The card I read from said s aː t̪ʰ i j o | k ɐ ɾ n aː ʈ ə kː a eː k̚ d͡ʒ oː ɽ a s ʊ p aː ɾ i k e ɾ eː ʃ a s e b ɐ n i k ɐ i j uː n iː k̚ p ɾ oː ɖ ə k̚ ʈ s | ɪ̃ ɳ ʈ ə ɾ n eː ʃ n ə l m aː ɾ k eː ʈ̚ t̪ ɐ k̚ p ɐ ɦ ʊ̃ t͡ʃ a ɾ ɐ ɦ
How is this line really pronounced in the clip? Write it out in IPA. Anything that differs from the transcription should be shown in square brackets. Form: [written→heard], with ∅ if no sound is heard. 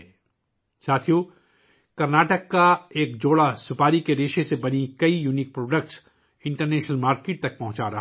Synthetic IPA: s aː t̪ʰ i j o | k ɐ ɾ n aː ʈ ə kː a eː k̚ d͡ʒ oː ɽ a s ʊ p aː ɾ i k e ɾ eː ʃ [a→e] s e b ɐ n i k ɐ i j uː n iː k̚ p ɾ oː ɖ ə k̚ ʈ s | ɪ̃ ɳ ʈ ə ɾ n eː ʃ n ə l m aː ɾ k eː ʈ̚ t̪ ɐ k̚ p ɐ ɦ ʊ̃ t͡ʃ a ɾ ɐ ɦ